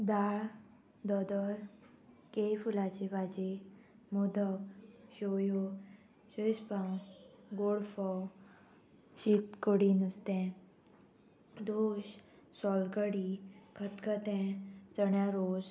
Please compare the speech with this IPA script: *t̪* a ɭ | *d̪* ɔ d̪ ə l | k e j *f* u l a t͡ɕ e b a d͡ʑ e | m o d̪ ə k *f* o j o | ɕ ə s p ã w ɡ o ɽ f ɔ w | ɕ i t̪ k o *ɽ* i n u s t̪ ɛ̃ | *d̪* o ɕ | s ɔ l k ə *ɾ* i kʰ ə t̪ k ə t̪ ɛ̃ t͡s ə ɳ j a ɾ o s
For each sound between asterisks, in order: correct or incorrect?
incorrect: d̪, correct, correct, incorrect: ɕ, correct, correct, incorrect: ɽ

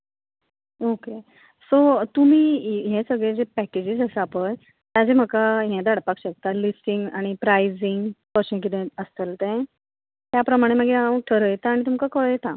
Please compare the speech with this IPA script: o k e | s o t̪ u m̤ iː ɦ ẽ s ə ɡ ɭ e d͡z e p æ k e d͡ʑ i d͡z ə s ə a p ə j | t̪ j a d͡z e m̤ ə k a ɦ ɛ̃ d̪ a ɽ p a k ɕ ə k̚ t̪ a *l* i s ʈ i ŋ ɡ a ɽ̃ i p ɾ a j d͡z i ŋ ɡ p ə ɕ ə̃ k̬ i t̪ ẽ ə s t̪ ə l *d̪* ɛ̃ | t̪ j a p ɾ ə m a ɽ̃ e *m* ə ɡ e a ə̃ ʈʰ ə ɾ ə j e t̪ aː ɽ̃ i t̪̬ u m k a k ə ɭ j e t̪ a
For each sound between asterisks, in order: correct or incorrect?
correct, incorrect: t̪, correct

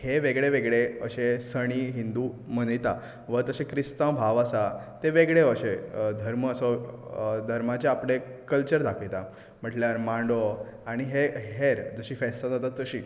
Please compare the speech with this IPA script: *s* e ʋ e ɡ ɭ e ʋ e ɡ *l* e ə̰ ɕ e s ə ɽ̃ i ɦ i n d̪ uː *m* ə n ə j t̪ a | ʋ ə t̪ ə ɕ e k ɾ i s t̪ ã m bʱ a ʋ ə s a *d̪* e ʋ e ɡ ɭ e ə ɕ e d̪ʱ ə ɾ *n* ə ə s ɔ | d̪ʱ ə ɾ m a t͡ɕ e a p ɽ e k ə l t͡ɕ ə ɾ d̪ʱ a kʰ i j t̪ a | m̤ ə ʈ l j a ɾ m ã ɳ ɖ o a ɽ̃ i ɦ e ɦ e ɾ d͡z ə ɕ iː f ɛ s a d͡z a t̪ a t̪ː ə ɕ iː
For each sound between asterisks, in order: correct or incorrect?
incorrect: h, incorrect: ɭ, correct, incorrect: t̪, incorrect: m

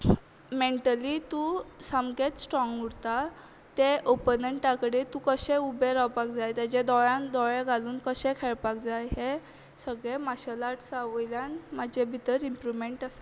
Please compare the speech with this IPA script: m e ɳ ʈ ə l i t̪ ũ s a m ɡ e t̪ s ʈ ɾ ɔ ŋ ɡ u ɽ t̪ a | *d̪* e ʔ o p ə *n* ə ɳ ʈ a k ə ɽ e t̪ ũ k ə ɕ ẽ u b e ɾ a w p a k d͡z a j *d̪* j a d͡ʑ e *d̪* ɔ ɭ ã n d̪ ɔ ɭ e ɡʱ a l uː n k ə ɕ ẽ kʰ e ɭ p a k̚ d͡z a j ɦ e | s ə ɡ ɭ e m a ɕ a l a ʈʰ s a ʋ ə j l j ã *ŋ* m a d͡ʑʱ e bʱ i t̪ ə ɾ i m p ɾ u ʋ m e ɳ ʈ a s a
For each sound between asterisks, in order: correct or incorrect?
incorrect: t̪, correct, incorrect: t̪, correct, incorrect: n

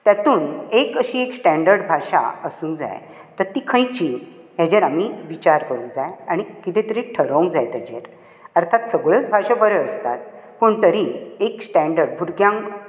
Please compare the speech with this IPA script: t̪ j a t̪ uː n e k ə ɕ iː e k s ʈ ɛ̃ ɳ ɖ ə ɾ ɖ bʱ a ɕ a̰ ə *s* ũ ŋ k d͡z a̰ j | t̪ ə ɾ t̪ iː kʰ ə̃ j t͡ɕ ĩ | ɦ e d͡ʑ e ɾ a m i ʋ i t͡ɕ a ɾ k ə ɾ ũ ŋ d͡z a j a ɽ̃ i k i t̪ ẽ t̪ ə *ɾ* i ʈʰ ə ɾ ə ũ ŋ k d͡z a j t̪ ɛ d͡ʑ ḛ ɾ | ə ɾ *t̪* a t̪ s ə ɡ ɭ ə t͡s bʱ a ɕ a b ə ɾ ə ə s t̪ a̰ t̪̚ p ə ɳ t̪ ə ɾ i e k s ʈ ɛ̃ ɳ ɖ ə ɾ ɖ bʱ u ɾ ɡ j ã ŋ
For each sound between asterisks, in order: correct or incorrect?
correct, correct, incorrect: t̪ʰ

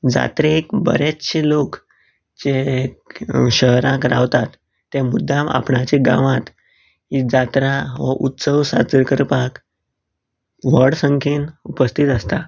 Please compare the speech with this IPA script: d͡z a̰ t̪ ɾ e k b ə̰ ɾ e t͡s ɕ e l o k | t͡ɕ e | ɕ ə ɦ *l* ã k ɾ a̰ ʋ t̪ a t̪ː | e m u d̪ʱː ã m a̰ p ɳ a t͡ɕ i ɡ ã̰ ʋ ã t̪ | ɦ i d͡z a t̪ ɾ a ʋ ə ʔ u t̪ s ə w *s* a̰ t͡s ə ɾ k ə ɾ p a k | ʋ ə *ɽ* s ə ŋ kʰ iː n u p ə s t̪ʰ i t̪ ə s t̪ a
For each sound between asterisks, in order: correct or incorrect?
incorrect: ɾ, correct, correct

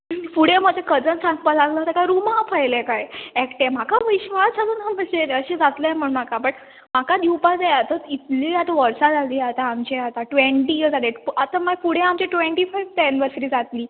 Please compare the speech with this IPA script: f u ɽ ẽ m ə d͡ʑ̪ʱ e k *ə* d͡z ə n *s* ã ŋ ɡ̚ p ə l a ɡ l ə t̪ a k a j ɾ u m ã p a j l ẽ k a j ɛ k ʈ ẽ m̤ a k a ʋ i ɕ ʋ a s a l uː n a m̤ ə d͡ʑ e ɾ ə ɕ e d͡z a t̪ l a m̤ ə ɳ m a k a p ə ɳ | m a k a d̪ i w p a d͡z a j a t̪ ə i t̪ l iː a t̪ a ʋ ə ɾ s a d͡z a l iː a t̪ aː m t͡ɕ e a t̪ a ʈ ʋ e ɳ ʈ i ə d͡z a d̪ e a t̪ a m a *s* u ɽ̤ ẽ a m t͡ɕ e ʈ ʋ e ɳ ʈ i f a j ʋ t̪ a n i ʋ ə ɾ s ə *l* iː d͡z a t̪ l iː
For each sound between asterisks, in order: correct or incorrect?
correct, correct, incorrect: f, incorrect: ɾ

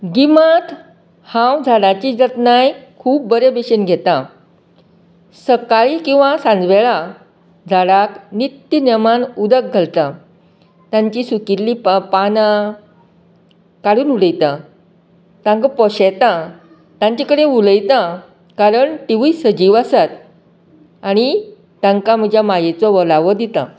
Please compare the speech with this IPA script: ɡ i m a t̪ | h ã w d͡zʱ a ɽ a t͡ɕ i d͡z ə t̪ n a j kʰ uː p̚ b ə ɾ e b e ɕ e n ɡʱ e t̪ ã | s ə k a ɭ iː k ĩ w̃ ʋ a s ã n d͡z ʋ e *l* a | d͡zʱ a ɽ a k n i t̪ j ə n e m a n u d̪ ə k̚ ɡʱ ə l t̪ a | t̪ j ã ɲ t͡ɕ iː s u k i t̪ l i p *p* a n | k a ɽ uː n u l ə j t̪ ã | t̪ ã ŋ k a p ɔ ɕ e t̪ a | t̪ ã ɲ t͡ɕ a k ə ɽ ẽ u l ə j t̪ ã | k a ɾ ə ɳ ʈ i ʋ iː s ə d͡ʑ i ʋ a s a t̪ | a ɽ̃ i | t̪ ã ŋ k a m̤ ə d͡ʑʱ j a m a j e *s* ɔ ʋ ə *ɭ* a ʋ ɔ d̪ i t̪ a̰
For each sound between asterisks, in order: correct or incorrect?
incorrect: ɭ, correct, incorrect: t͡s, incorrect: l

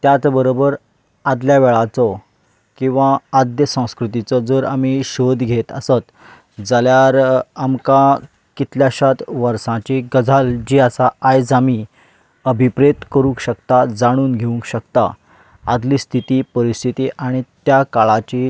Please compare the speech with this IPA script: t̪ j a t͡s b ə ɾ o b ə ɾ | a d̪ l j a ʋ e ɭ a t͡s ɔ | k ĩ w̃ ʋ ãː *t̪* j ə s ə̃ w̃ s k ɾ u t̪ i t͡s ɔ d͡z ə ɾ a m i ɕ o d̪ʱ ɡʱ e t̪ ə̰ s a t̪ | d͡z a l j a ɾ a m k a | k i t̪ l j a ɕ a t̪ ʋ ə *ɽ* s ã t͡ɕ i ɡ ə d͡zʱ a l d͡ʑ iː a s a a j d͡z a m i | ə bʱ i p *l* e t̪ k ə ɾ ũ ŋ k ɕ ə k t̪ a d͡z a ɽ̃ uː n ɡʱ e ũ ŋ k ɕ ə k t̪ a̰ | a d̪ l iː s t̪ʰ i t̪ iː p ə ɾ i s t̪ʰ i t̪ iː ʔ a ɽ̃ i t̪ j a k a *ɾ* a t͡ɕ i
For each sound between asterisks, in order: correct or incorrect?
incorrect: d̪, incorrect: ɾ, incorrect: ɾ, incorrect: ɭ

